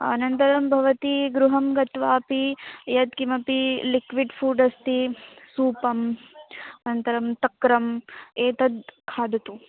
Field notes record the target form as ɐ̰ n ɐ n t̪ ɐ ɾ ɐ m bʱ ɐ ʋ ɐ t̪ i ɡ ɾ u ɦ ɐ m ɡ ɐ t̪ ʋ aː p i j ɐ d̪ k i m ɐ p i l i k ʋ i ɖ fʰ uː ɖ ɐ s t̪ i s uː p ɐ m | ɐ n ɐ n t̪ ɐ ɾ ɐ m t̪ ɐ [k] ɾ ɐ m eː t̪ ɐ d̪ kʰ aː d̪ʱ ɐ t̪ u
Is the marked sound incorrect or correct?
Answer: correct